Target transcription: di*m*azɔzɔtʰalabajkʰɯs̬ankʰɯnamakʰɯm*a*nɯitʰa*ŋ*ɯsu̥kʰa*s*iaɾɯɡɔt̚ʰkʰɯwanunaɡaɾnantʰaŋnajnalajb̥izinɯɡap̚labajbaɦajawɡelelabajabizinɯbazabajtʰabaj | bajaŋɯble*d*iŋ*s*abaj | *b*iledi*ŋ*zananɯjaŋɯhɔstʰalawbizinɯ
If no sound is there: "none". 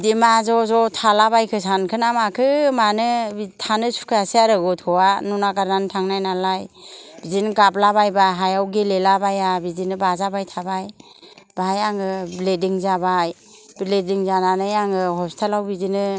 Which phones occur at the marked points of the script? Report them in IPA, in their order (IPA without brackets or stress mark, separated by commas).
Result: m, a, n, s, d, z, b, ŋ